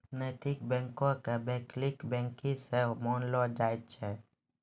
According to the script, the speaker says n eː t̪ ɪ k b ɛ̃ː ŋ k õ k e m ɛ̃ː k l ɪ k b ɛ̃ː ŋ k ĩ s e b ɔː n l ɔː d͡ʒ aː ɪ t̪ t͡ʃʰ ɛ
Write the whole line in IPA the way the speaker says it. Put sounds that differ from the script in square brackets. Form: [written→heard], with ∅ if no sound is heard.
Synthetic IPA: n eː t̪ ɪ k b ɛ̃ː ŋ k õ k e [m→b] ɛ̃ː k l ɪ k b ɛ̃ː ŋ k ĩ s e [b→m] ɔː n l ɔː d͡ʒ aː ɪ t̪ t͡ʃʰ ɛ